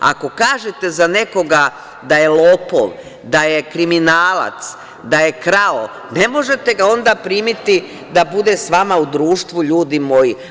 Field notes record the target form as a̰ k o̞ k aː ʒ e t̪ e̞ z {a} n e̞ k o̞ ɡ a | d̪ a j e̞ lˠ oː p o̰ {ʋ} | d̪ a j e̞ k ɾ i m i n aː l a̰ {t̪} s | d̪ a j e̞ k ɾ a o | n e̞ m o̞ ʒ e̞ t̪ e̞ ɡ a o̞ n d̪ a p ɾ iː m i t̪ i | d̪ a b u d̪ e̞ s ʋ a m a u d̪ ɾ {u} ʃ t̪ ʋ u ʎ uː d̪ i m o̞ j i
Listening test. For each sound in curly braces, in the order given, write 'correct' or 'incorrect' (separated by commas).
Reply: correct, correct, correct, incorrect